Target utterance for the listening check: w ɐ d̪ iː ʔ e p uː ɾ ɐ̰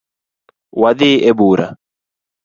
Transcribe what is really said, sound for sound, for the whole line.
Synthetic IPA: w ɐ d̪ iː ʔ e b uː ɾ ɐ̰